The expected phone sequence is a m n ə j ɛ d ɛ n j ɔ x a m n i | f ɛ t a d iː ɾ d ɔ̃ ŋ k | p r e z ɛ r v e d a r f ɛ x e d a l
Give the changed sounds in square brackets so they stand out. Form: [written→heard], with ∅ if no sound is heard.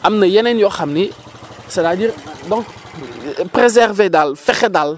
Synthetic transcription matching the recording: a m n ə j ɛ [d→n] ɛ n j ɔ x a m n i | [f→s] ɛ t a d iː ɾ d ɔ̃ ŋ k | p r e z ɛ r v e d a [r→l] f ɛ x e d a l